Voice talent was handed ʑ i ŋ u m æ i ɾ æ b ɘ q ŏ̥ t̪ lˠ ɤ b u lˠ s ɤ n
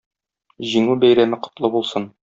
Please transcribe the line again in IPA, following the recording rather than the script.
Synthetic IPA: ʑ i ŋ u b æ j ɾ æ m ɘ q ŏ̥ t̪ lˠ ɤ b u lˠ s ɤ n